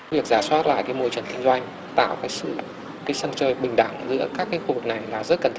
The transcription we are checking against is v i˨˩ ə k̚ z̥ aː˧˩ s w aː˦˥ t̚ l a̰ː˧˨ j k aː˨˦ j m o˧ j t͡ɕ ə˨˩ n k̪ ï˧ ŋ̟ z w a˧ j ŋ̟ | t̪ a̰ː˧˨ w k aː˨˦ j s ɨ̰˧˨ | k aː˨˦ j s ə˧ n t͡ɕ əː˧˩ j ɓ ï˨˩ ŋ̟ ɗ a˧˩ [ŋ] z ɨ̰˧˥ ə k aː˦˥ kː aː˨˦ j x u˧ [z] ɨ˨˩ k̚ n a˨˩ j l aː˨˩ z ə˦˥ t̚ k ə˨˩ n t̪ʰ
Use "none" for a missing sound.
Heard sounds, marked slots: ŋ, v

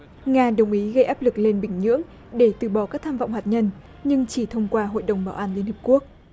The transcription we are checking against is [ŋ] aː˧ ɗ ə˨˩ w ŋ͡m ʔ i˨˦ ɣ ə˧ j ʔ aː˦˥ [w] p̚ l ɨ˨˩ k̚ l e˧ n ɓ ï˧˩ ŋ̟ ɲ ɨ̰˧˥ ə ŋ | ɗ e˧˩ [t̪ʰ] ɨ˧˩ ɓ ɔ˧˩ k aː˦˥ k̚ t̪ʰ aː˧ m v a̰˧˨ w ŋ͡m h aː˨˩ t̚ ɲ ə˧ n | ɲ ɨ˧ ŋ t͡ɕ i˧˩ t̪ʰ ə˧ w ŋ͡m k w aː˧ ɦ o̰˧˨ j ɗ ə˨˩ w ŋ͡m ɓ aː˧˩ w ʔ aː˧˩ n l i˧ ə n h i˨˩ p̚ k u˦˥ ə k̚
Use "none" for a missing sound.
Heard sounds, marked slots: ŋ, none, t̪

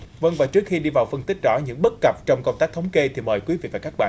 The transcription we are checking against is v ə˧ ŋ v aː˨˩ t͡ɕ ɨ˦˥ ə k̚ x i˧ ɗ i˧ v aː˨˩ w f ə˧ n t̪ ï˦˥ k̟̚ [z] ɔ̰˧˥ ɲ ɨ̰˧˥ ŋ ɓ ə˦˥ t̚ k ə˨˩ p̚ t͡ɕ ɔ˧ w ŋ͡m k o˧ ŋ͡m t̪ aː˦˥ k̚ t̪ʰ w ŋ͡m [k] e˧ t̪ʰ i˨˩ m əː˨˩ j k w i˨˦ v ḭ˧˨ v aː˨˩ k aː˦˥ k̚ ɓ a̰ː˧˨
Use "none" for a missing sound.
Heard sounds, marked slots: z, k

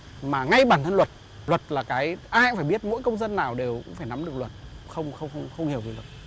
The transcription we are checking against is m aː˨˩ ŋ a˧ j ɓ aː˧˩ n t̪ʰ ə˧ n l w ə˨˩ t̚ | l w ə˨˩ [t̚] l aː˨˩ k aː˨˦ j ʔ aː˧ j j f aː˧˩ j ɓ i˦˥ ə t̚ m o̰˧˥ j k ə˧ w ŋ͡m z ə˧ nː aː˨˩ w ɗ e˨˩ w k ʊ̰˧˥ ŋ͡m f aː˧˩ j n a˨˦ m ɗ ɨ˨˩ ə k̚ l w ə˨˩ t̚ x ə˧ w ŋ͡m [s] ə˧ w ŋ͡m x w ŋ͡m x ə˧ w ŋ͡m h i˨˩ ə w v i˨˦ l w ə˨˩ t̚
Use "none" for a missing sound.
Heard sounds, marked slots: t̚, x

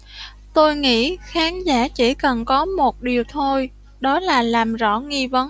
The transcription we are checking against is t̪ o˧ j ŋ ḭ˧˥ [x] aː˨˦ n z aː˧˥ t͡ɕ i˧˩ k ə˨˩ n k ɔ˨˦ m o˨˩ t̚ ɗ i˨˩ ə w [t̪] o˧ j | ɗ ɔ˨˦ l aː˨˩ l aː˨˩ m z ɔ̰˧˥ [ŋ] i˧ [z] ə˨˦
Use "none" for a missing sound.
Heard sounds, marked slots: x, t̪ʰ, ŋ, v

